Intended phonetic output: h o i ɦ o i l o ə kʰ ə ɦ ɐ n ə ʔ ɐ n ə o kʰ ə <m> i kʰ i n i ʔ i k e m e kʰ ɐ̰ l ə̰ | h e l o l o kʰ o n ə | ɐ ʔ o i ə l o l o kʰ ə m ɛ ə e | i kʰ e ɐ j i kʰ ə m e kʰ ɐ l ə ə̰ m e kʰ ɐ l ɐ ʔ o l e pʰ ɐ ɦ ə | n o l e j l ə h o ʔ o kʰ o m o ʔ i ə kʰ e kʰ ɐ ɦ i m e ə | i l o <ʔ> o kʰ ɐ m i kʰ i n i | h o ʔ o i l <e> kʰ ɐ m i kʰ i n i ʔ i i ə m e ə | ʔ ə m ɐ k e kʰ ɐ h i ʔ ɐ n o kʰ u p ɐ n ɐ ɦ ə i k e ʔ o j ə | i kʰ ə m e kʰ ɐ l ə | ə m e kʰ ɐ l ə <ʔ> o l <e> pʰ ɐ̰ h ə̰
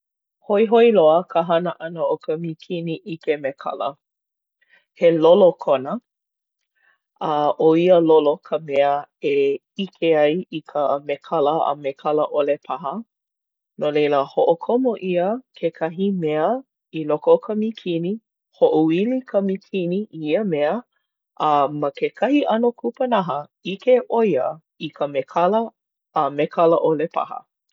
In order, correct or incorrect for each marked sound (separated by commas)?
correct, incorrect, incorrect, correct, correct